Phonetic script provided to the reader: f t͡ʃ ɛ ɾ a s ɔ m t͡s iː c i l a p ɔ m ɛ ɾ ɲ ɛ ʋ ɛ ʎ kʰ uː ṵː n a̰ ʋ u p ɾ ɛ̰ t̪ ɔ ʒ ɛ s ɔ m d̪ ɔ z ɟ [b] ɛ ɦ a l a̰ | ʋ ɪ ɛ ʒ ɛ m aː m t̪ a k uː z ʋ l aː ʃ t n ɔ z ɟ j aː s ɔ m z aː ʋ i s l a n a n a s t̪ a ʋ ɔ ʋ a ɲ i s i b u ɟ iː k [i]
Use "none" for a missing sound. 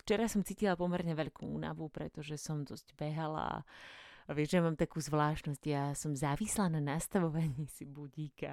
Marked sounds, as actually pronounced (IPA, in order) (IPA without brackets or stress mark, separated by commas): b, a